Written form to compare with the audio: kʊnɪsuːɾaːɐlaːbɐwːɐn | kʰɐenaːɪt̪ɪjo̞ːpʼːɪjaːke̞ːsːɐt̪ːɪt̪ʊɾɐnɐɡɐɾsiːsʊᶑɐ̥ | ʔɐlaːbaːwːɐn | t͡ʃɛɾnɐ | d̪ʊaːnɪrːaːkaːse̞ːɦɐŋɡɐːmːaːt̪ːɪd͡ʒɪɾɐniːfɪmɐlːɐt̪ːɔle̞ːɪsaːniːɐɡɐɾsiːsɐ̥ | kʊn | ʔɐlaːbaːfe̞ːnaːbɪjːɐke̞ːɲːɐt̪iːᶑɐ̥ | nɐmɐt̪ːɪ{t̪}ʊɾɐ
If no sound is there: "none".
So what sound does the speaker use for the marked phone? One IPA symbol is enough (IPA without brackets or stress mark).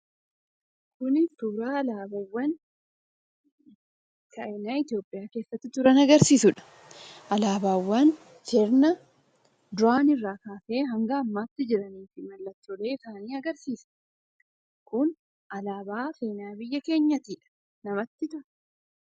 t̪